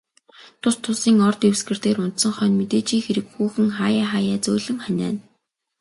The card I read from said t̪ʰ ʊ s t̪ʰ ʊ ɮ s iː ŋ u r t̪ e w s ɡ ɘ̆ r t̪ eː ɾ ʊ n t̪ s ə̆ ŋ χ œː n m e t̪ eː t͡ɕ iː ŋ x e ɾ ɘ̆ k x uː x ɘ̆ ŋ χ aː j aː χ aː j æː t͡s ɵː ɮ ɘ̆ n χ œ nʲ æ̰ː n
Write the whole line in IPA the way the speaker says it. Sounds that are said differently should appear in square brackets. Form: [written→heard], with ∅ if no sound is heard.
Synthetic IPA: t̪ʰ ʊ s t̪ʰ ʊ [ɮ→∅] s iː ŋ [u→ɔ] r t̪ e w s ɡ ɘ̆ r t̪ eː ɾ ʊ n t̪ s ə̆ ŋ χ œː n m e t̪ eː t͡ɕ iː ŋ x e ɾ ɘ̆ k x uː x ɘ̆ ŋ χ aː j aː χ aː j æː t͡s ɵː ɮ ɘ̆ [n→ŋ] χ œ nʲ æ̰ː n